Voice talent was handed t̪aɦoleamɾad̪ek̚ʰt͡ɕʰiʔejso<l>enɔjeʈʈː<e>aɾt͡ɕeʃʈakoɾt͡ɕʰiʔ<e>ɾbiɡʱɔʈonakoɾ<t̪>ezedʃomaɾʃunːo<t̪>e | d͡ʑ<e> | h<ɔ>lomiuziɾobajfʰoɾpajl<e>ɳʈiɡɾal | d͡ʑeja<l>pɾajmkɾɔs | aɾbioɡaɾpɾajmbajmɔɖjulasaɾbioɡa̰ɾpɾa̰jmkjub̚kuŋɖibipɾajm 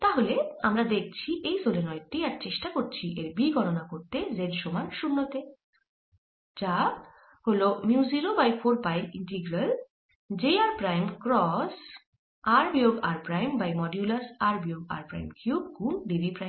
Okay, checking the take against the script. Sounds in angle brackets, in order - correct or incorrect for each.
correct, incorrect, correct, correct, correct, incorrect, incorrect, incorrect, incorrect

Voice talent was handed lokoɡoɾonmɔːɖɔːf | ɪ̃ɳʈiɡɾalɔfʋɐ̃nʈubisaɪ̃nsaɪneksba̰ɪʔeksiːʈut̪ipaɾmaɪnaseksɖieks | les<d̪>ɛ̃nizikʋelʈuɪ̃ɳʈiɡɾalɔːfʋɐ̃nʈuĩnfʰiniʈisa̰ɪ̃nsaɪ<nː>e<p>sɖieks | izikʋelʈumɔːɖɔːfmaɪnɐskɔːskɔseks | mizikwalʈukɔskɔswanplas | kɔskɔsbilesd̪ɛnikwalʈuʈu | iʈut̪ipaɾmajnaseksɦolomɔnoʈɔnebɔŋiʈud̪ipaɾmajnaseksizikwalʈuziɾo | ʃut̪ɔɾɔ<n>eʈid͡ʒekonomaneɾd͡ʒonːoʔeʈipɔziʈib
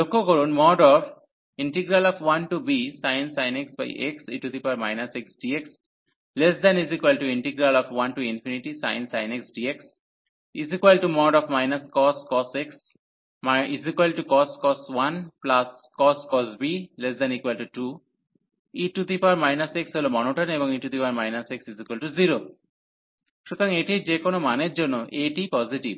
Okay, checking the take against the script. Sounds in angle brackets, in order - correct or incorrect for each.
correct, incorrect, incorrect, incorrect

